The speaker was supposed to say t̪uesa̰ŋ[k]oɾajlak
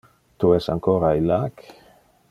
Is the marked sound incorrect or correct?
correct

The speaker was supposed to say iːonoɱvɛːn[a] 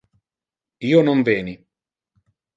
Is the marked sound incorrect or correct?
incorrect: i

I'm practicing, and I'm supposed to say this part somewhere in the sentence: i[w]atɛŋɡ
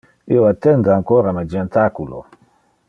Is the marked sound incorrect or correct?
correct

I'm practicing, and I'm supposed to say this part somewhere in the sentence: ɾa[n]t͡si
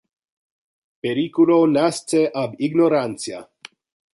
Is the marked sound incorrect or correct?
correct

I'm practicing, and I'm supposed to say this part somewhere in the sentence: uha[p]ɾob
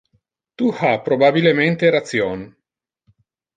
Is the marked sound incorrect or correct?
correct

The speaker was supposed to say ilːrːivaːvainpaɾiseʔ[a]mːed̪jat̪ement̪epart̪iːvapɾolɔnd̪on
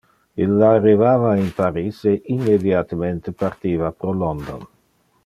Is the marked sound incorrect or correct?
incorrect: i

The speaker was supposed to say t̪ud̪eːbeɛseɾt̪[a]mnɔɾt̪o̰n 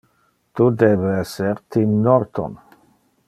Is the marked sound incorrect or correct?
incorrect: i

